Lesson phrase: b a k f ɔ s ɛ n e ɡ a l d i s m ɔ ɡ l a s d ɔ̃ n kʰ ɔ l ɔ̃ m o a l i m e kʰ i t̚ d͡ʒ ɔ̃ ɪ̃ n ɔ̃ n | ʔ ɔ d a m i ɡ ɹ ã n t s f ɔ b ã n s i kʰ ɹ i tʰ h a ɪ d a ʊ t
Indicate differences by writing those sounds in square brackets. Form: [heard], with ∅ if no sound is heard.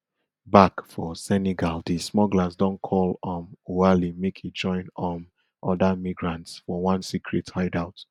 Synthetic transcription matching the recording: b a k f ɔ s ɛ n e ɡ a l d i s m ɔ ɡ l a s d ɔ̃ n kʰ ɔ l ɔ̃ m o a l i m e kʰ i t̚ d͡ʒ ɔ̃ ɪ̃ n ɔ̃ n | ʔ ɔ d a m i ɡ ɹ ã n t s f ɔ [w] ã n s i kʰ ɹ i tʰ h a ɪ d a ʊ t